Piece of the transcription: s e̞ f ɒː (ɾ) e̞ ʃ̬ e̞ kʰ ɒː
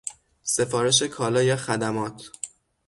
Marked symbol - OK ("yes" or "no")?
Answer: yes